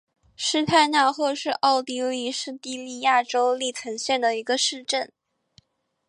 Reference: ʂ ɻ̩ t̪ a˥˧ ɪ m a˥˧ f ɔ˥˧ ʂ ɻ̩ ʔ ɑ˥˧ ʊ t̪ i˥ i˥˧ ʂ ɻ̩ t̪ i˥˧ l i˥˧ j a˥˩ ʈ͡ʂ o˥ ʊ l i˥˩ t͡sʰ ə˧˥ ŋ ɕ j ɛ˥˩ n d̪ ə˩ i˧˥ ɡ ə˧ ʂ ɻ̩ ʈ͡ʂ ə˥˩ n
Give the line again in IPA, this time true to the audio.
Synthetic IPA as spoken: ʂ ɻ̩ t̪ʰ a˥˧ ɪ n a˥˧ x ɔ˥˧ ʂ ɻ̩ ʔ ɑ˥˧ ʊ t̪ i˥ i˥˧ ʂ ɻ̩ t̪ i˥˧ l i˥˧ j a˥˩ ʈ͡ʂ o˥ ʊ l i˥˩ t͡sʰ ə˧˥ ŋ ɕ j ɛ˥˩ n d̪ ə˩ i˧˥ ɡ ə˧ ʂ ɻ̩ ʈ͡ʂ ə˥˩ n